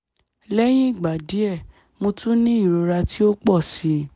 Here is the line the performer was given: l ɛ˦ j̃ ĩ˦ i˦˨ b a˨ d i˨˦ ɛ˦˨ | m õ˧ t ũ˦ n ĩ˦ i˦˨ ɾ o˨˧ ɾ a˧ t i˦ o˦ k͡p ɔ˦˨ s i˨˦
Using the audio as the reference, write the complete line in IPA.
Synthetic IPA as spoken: l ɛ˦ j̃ ĩ˦ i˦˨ ɡ͡b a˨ d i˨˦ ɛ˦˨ | m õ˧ t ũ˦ n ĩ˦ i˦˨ ɾ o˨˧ ɾ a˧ t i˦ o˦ k͡p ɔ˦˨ s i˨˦